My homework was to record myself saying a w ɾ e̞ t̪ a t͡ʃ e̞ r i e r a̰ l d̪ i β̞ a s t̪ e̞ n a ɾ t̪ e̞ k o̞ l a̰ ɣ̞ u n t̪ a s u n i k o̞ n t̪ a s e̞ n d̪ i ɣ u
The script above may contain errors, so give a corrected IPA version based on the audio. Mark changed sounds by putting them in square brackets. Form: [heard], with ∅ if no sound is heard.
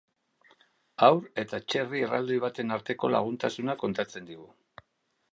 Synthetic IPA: a w ɾ e̞ t̪ a t͡ʃ e̞ r i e r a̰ l d̪ i β̞ a [∅] t̪ e̞ n a ɾ t̪ e̞ k o̞ l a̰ ɣ̞ u n t̪ a s u n [a] k o̞ n t̪ a [t͡s] e̞ n d̪ i ɣ u

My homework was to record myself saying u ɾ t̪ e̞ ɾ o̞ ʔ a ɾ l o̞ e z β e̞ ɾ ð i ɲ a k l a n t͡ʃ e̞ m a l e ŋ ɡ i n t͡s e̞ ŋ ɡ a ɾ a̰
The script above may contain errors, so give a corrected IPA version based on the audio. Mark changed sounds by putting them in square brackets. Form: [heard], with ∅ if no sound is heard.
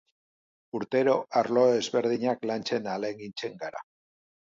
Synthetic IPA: u ɾ t̪ e̞ ɾ o̞ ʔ a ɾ l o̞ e z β e̞ ɾ ð i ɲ a k l a n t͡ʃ e̞ [n] a l e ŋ ɡ i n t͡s e̞ ŋ ɡ a ɾ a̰

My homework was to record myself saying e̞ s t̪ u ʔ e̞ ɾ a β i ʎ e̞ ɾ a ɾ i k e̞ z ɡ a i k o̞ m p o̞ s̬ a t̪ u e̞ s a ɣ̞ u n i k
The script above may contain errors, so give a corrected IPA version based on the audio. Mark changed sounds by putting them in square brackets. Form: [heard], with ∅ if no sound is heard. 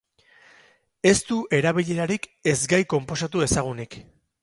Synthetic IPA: e̞ s t̪ u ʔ e̞ ɾ a β i ʎ e̞ ɾ a ɾ i k e̞ z ɡ a [j] k o̞ m p o̞ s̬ a t̪ u e̞ s a ɣ̞ u n i k

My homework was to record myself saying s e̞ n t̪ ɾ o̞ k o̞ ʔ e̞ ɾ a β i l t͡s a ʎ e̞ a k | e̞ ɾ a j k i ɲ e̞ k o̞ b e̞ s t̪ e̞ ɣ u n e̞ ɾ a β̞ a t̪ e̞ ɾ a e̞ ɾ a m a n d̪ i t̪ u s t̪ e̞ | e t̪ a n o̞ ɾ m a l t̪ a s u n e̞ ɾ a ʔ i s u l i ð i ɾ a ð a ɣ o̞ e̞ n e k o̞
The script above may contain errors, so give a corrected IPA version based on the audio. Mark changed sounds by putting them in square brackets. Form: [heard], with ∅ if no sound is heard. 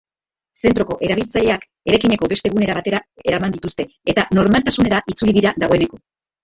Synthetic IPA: s e̞ n t̪ ɾ o̞ k o̞ ʔ e̞ ɾ a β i l t͡s a ʎ e̞ a k | e̞ ɾ a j k i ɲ e̞ k o̞ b e̞ s t̪ e̞ ɣ u n e̞ ɾ a β̞ a t̪ e̞ ɾ a e̞ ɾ a m a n d̪ i t̪ u s t̪ e̞ | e t̪ a n o̞ ɾ m a l t̪ a s u n e̞ ɾ a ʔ i [t͡s] u l i ð i ɾ a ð a ɣ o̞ e̞ n e k o̞

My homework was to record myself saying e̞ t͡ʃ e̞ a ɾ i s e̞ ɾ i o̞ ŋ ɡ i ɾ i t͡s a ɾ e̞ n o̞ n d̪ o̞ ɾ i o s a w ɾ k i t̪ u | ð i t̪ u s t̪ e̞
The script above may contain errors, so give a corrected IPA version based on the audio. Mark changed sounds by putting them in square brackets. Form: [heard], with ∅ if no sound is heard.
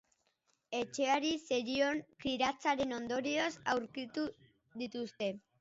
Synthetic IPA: e̞ t͡ʃ e̞ a ɾ i s e̞ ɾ i o̞ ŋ [k] i ɾ [a] t͡s a ɾ e̞ n o̞ n d̪ o̞ ɾ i o s a w ɾ k i t̪ u | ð i t̪ u s t̪ e̞

